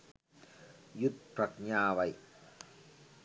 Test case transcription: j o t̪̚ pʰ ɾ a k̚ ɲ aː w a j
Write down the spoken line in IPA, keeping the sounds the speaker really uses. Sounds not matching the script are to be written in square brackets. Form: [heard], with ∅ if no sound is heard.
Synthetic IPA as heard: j [u] t̪̚ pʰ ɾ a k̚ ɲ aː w a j